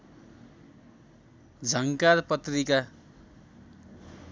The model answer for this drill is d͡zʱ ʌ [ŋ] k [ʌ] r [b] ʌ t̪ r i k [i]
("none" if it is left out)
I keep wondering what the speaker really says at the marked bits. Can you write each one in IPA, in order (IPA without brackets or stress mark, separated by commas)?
ŋ, a, p, a